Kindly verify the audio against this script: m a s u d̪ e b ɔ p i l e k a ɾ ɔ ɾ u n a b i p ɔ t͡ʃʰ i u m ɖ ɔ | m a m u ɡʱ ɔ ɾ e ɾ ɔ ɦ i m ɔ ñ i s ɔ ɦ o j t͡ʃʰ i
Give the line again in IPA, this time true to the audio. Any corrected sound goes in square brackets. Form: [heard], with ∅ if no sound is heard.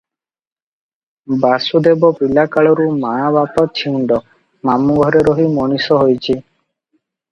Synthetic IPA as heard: [b] a s u d̪ e b ɔ p i l [a] k a [ɭ] ɔ ɾ u [m] a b [a] p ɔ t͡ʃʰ i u [ɳ] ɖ ɔ | m a m u ɡʱ ɔ ɾ e ɾ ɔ ɦ i m ɔ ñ i s ɔ ɦ o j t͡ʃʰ i